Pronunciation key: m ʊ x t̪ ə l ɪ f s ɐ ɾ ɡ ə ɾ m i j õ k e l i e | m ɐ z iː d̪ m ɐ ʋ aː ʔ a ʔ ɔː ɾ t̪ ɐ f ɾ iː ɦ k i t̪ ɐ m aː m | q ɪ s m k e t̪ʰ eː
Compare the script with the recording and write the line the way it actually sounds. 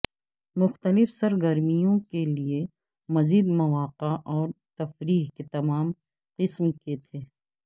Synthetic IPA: m ʊ x t̪ ə l ɪ f s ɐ ɾ ɡ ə ɾ m i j õ k e l i e | m ɐ z iː d̪ m ɐ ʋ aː q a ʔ ɔː ɾ t̪ ɐ f ɾ iː ɦ k e t̪ ɐ m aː m | q ɪ s m k e t̪ʰ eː